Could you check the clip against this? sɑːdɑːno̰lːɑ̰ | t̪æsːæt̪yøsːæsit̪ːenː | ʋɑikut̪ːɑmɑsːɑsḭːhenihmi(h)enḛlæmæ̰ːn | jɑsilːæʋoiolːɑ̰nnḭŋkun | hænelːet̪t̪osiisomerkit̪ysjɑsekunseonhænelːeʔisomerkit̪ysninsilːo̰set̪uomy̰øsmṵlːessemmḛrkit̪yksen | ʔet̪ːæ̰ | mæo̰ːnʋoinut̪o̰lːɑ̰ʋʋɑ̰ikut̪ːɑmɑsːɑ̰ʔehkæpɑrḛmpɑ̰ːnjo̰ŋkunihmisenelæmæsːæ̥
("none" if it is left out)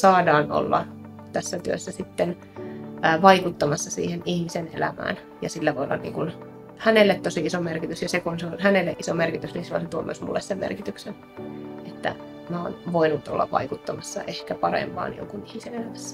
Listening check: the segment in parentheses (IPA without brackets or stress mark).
s